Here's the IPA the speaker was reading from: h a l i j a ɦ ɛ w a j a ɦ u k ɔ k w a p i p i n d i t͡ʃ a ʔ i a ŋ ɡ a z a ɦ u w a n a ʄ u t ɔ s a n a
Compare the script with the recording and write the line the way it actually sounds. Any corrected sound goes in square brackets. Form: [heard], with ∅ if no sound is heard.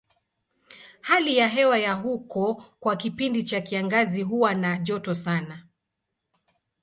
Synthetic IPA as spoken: h a l i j a ɦ ɛ w a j a ɦ u k ɔ k w a [k] i p i n d i t͡ʃ a [k] i a ŋ ɡ a z [i] ɦ u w a n a ʄ [ɔ] t ɔ s a n a